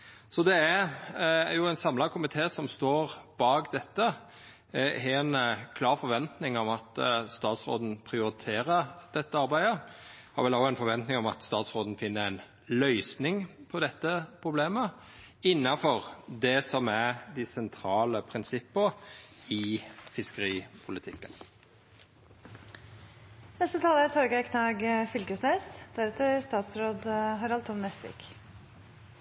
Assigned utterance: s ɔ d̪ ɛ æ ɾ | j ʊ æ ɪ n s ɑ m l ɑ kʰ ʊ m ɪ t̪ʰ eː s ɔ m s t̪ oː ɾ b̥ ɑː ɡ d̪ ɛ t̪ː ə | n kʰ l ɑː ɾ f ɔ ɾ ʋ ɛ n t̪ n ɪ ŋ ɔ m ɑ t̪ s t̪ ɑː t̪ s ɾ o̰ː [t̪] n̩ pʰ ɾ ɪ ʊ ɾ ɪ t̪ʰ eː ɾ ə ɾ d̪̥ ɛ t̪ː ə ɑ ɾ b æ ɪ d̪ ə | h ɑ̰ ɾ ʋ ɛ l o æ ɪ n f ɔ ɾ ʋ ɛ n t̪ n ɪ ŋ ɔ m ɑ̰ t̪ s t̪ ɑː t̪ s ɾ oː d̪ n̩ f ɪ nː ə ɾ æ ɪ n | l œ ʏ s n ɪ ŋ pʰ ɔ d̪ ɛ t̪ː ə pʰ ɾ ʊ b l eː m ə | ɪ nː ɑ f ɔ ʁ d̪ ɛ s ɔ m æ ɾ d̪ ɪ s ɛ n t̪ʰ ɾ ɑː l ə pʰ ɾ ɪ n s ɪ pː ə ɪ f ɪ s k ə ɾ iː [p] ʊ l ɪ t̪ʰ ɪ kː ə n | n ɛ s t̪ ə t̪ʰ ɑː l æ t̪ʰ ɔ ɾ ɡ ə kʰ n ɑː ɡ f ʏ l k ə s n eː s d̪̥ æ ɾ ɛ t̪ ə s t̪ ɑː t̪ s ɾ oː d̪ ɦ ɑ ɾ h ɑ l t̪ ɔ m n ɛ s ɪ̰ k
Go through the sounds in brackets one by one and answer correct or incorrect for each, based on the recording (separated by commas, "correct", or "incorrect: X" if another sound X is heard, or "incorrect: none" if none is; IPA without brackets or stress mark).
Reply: incorrect: d̪, incorrect: pʰ